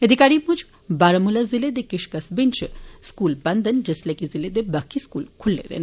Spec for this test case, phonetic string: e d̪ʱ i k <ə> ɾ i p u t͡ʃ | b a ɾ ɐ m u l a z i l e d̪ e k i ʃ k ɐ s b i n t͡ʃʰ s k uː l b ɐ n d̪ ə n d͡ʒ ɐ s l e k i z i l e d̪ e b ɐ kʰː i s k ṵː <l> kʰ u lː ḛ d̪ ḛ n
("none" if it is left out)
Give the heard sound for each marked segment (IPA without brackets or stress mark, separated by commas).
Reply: a, l